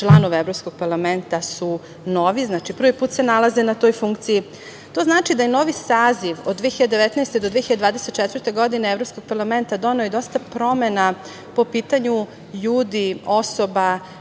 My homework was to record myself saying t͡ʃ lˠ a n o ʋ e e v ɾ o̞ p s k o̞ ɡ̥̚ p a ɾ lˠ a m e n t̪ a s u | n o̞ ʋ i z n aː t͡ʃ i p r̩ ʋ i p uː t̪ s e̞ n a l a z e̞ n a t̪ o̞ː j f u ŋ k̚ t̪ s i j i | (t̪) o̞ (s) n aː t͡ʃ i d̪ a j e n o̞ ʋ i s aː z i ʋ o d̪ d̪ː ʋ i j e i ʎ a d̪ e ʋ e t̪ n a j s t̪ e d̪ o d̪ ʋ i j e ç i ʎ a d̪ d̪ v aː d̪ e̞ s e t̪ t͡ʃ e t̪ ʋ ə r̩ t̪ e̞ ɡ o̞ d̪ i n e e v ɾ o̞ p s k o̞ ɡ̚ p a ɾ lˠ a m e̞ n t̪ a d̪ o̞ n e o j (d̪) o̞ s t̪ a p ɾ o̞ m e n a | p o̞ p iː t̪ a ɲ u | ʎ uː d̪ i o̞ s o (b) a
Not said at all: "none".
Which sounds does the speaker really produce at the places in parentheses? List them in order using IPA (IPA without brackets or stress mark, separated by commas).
t̪, z, d̪, b